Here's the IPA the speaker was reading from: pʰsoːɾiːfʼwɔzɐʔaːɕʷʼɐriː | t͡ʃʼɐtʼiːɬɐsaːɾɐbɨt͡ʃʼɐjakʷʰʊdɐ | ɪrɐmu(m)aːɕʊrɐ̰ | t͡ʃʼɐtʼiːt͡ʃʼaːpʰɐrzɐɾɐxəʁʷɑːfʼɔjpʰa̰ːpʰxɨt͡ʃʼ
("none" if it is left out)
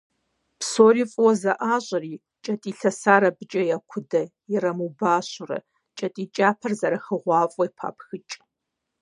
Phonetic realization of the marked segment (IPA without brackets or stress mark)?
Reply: b